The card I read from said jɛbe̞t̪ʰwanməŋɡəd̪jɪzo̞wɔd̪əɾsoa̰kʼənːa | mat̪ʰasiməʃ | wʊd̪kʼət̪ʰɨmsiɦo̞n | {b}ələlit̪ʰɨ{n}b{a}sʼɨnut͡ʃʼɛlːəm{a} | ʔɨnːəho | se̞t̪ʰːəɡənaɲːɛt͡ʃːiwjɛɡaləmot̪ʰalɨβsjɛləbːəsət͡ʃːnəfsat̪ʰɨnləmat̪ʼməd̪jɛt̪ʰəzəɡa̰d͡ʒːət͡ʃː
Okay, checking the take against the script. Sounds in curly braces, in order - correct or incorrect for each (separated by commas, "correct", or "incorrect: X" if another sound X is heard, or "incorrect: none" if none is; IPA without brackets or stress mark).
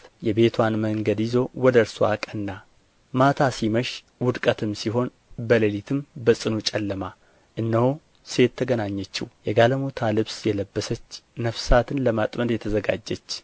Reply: correct, incorrect: m, incorrect: ə, correct